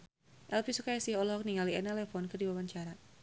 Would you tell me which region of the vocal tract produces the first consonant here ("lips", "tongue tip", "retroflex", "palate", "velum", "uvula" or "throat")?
throat